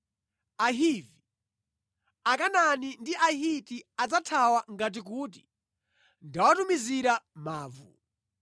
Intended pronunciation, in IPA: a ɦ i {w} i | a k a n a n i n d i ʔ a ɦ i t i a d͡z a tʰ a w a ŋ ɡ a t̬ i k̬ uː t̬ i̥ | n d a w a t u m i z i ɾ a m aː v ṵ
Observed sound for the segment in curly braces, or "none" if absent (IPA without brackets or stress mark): v